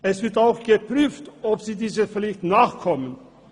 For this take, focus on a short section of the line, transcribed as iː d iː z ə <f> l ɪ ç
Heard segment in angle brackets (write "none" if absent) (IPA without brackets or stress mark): f